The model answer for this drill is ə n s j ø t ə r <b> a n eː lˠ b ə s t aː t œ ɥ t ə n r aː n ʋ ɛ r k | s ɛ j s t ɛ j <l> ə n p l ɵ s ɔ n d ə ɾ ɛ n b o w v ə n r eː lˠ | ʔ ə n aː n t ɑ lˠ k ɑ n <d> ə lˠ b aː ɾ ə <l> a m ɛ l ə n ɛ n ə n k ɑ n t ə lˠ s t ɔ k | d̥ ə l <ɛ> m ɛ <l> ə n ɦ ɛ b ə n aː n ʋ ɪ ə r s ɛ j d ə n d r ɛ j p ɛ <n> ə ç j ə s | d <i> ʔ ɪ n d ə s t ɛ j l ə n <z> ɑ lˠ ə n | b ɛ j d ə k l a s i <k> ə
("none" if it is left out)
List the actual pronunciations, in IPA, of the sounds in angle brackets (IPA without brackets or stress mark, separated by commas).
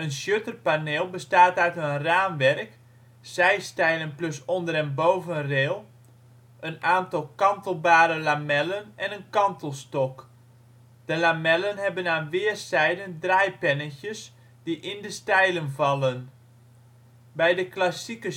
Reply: p, l, t, l, a, l, n, i, v, k